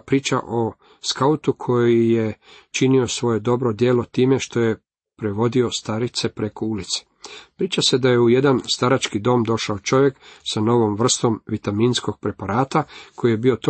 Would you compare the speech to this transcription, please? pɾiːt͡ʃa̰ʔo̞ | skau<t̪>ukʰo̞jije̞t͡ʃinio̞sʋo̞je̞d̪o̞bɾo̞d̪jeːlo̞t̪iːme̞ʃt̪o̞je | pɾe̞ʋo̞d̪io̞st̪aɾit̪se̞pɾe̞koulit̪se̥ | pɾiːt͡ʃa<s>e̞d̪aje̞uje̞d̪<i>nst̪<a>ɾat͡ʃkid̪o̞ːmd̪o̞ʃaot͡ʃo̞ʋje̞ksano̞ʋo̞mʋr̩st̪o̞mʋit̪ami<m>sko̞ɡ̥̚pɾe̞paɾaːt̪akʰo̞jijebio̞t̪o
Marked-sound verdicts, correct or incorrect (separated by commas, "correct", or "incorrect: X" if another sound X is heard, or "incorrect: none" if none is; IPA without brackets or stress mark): correct, correct, incorrect: a, correct, incorrect: n